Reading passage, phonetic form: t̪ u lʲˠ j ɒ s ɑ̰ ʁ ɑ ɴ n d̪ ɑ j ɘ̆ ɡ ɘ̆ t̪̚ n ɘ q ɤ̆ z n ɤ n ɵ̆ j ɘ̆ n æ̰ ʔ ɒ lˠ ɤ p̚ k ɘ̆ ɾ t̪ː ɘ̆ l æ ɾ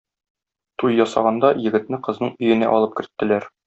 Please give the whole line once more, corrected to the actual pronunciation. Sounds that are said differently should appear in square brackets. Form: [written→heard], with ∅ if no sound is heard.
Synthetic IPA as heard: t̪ u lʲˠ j ɒ s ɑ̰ ʁ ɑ [ɴ→∅] n d̪ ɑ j ɘ̆ ɡ ɘ̆ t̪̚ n ɘ q ɤ̆ z n ɤ [n→ɴ] ɵ̆ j ɘ̆ n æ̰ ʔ ɒ lˠ ɤ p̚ k ɘ̆ ɾ t̪ː ɘ̆ l æ ɾ